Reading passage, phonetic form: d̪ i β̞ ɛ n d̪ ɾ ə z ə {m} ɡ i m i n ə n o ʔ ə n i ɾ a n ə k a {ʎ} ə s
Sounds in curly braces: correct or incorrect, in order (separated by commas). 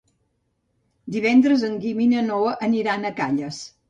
incorrect, correct